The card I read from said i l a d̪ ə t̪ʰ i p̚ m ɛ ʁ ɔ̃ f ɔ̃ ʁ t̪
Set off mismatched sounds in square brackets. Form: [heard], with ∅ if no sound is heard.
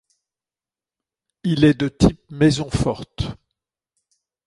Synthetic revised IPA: i l [ɛ] d̪ ə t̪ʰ i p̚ m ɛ [z] ɔ̃ f [ɔ] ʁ t̪